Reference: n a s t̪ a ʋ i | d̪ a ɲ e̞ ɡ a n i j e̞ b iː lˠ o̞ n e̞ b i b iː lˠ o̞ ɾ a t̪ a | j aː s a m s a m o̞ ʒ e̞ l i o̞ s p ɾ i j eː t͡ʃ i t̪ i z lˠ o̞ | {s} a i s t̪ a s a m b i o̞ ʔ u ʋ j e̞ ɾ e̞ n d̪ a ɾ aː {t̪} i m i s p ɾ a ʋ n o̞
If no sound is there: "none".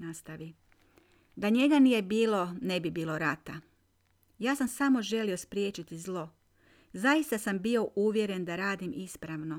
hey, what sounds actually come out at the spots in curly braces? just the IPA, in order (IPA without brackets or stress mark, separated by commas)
z, d̪